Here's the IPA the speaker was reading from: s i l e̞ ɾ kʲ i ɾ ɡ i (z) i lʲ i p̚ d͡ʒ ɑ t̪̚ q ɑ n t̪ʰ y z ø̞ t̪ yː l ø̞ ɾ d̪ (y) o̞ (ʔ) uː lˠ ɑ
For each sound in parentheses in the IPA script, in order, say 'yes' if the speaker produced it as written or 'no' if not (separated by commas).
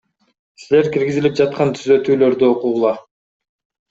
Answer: yes, yes, no